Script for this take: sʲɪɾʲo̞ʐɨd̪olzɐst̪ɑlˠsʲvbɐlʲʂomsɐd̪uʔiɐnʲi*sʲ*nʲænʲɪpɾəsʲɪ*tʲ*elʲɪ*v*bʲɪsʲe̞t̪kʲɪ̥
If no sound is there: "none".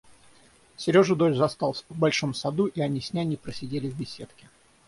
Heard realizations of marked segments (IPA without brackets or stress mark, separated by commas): sʲ, dʲ, v